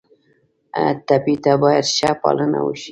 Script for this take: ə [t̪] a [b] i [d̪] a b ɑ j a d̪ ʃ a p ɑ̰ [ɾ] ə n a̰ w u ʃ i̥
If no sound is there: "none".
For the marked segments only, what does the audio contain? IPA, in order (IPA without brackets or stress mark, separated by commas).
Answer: t̪, p, t̪, l